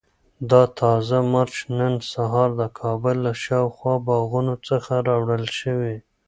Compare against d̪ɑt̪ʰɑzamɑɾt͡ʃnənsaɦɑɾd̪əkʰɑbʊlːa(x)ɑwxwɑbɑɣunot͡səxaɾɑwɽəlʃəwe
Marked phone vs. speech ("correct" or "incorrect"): incorrect